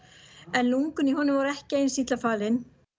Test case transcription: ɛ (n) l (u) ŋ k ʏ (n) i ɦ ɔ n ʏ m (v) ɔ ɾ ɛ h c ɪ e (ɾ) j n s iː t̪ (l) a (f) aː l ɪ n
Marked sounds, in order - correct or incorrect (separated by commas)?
correct, correct, correct, correct, incorrect, correct, correct